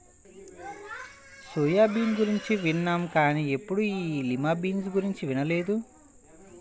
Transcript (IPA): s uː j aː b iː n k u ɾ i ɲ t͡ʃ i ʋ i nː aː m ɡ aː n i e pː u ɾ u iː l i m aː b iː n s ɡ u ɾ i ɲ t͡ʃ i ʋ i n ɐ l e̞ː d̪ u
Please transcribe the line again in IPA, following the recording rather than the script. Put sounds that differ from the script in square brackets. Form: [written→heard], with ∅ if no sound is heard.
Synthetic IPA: s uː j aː b iː n [k→ɡ] u ɾ i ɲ t͡ʃ i ʋ i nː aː m [ɡ→k] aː n i e pː u [ɾ→ɽ] u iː l i m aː b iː n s ɡ u ɾ i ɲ t͡ʃ i ʋ i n ɐ l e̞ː d̪ u

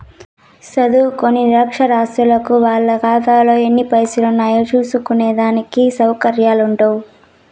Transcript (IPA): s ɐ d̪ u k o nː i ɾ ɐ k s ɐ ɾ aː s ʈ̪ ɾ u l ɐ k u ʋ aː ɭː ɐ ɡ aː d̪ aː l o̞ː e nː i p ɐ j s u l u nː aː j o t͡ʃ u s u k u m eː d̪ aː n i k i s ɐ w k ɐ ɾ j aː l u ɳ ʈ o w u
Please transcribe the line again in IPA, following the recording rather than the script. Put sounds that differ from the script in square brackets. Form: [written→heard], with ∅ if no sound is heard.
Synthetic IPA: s ɐ d̪ u k o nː i ɾ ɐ k [s→ʂ] ɐ ɾ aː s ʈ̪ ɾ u l ɐ k u ʋ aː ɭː ɐ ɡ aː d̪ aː l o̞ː e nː i p ɐ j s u l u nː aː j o t͡ʃ [u→uː] s u k u [m→n] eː d̪ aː n i k i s ɐ w k ɐ ɾ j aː l u ɳ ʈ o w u

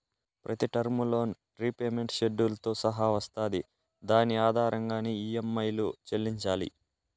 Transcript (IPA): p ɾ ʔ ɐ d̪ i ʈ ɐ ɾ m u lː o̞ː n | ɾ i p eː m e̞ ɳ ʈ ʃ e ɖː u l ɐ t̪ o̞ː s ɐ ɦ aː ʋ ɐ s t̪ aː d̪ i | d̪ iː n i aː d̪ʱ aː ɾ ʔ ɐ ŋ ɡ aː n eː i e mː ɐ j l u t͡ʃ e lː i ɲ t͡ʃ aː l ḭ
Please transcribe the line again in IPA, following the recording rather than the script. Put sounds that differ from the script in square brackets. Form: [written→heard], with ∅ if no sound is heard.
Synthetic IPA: p ɾ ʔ ɐ [d̪→t̪] i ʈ ɐ ɾ m u [lː→l] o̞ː n | ɾ i p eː m e̞ ɳ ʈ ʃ e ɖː u l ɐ t̪ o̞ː s ɐ ɦ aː ʋ ɐ s t̪ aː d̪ i | d̪ [iː→aː] n i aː d̪ʱ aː ɾ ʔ ɐ ŋ ɡ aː n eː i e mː ɐ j l u t͡ʃ e lː i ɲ t͡ʃ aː l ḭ

